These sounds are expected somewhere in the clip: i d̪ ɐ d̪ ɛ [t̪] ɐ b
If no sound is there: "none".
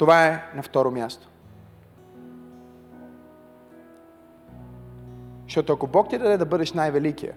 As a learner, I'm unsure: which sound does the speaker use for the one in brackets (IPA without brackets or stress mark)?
d̪